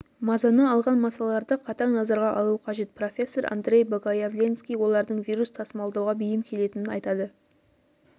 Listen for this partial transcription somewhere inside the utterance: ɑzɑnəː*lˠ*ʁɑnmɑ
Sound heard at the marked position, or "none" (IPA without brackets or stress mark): lˠ